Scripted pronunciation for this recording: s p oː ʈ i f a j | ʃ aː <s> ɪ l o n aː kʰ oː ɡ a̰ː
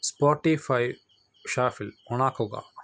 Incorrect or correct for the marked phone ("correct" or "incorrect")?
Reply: incorrect